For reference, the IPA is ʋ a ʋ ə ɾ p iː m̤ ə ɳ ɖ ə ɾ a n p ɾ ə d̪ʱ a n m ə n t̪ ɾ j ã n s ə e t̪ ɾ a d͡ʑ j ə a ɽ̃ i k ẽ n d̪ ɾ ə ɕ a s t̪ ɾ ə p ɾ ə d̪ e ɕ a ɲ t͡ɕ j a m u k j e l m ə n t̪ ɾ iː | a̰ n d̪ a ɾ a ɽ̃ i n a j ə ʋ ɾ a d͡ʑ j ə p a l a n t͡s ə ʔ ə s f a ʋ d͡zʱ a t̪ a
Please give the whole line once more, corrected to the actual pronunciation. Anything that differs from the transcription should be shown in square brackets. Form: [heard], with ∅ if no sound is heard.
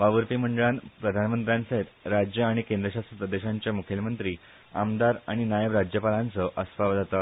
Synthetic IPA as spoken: ʋ a ʋ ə ɾ p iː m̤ ə ɳ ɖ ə [ɭ] a n p ɾ ə d̪ʱ a n m ə n t̪ ɾ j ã n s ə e t̪ ɾ a d͡ʑ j ə a ɽ̃ i k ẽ n d̪ ɾ ə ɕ a s t̪ ɾ ə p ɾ ə d̪ e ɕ a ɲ t͡ɕ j a m u [kʰ] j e l m ə n t̪ ɾ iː | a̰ [m] d̪ a ɾ a ɽ̃ i n a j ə ʋ ɾ a d͡ʑ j ə p a l a n t͡s ə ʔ ə s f a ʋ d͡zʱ a t̪ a